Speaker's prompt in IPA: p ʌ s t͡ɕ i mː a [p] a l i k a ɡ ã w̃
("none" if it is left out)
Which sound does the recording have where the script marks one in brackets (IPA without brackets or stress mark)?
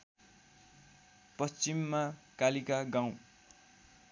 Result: k